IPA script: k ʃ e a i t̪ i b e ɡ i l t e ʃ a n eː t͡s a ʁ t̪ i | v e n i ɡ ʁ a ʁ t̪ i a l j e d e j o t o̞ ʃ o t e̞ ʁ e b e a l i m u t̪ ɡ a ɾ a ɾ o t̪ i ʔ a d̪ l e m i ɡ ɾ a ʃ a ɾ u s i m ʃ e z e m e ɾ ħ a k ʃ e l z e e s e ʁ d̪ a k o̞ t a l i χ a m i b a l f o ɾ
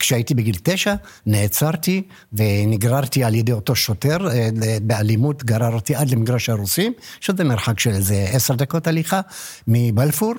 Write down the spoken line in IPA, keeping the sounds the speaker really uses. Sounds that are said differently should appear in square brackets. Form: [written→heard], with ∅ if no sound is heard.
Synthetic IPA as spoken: k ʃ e a i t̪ i b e ɡ i l t e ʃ a n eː t͡s a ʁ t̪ i | v e n i ɡ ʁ a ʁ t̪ i a l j e d e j o t o̞ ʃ o t e̞ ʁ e b e a l i m u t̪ ɡ a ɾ a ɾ o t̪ i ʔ a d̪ l e m i ɡ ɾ a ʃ a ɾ u s i m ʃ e z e m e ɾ ħ a k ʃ e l z e e s e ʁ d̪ a k o̞ t a l i χ a m i b a l f [o→u] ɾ